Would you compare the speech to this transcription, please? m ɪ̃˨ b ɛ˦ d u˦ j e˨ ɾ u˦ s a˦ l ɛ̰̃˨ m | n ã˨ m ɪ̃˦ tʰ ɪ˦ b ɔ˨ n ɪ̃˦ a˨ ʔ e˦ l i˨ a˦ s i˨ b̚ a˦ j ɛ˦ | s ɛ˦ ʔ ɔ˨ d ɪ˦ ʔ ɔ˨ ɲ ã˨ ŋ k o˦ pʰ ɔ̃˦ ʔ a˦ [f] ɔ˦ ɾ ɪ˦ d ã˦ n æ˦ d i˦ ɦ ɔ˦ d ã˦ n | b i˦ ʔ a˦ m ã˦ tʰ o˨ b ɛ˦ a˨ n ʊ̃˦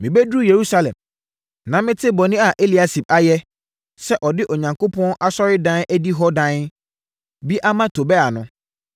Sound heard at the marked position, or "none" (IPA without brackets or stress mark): s